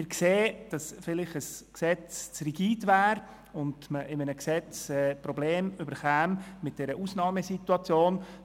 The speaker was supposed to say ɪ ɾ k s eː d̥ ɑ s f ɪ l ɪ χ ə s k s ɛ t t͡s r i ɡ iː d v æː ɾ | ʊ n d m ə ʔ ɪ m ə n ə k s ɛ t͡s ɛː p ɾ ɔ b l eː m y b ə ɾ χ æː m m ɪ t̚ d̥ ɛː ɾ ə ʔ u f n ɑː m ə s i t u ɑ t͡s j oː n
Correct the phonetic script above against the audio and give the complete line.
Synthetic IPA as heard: ɪ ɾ k s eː d̥ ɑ s f ɪ l ɪ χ ə s k s ɛ t͡s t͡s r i ɡ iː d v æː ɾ | ʊ n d m ə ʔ ɪ m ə n ə k s ɛ t͡s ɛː p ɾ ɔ b l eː m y b ə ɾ χ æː m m ɪ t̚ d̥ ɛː ɾ ə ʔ u s n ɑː m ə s i t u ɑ t͡s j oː n